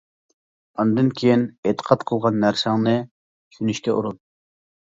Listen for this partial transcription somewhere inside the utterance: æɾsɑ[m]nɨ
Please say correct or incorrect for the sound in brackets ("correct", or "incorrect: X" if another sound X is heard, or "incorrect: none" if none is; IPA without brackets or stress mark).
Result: incorrect: ŋ